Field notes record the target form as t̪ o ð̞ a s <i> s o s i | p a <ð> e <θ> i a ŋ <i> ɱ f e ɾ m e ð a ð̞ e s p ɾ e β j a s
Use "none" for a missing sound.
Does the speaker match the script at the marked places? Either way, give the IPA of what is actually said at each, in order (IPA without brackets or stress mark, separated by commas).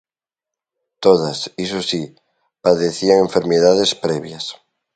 i, ð, θ, e